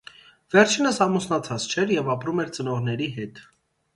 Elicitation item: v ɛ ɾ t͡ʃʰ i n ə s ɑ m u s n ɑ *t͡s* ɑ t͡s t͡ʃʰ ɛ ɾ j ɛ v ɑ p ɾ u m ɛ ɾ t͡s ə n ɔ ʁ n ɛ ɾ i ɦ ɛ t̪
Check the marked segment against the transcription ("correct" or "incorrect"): incorrect